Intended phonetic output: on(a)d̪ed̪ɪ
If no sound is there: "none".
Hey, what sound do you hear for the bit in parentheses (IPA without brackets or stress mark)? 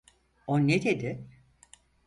e